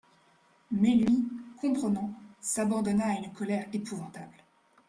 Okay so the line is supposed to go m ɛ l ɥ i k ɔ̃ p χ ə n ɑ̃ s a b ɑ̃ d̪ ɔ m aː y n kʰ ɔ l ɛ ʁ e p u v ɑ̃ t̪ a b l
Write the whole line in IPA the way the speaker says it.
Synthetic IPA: m ɛ l ɥ i k ɔ̃ p χ ə n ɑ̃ s a b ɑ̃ d̪ ɔ n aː y n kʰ ɔ l ɛ ʁ e p u v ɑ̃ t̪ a b l